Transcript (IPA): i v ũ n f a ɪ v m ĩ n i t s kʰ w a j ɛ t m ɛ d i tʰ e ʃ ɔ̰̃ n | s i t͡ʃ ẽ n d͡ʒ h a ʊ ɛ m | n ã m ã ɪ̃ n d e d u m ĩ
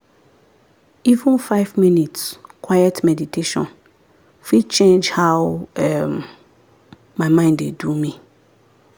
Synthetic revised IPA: i v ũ n f a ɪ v m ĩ n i t s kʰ w a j ɛ t m ɛ d i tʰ e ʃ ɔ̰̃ n | f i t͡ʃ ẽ n d͡ʒ h a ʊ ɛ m | m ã m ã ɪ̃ n d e d u m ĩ

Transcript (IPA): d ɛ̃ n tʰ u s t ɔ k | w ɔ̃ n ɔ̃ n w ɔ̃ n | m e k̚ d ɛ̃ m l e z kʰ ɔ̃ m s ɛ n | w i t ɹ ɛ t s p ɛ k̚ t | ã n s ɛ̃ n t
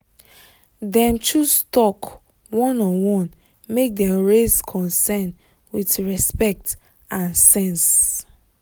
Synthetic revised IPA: d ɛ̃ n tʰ u s t ɔ k | w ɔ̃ n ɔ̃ n w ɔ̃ n | m e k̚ d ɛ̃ m ɹ e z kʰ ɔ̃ n s ɛ n | w i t ɹ ɛ s p ɛ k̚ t | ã n s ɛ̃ n s

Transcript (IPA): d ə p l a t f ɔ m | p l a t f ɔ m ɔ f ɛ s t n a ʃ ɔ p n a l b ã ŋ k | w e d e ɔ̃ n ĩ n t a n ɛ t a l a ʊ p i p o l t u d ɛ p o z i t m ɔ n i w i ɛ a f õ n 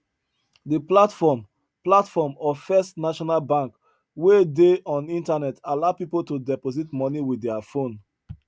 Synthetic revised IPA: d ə p l a t f ɔ m | p l a t f ɔ m ɔ f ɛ s t n a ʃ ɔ n a l b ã ŋ k | w e d e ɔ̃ n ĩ n t a n ɛ t a l a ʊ p i p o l t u d ɛ p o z i t m ɔ n i w i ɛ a f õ n

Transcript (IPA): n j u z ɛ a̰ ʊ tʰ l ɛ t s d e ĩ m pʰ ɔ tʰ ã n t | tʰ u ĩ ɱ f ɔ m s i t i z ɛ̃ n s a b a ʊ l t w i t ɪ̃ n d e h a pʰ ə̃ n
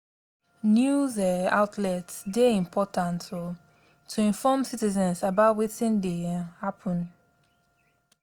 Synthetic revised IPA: n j u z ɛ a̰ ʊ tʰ l ɛ t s d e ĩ m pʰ ɔ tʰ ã n t | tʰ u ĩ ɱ f ɔ m s i t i z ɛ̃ n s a b a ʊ t w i t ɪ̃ n d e h a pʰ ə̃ n

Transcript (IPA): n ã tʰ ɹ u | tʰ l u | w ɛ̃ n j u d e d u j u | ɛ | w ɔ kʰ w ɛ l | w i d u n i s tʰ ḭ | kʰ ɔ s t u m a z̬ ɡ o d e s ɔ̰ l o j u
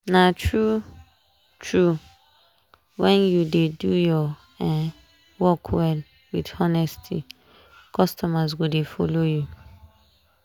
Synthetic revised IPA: n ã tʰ ɹ u | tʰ ɹ u | w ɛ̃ n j u d e d u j ɔ | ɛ | w ɔ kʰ w ɛ l | w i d ɔ n ɛ s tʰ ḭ | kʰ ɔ s t ɔ m a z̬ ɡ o d e f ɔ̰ l o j u

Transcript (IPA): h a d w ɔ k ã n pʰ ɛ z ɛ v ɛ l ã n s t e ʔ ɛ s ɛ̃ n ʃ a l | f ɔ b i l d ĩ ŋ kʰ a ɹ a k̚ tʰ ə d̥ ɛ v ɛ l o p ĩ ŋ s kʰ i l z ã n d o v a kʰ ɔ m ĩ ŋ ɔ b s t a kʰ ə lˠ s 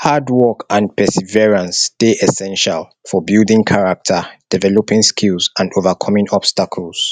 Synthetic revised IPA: h a d w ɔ k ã n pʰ ɛ s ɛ v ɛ ɹ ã n s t e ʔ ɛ s ɛ̃ n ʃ a l | f ɔ b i l d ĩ ŋ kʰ a ɹ a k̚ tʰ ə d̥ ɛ v ɛ l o p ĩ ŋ s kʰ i l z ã n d o v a kʰ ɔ m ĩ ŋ ɔ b s t a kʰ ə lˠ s

